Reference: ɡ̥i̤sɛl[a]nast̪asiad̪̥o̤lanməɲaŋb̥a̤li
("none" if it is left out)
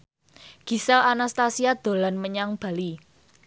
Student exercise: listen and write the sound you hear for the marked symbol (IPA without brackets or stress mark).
a